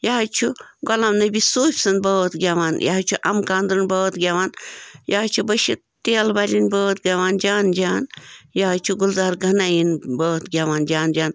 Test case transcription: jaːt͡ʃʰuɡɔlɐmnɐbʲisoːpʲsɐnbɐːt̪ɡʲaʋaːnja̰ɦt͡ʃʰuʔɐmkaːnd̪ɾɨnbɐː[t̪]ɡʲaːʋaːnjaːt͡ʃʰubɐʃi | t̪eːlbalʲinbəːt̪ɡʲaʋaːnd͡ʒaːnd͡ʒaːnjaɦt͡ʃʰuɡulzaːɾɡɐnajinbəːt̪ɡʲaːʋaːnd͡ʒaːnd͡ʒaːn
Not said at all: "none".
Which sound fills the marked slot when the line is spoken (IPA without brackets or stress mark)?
t̪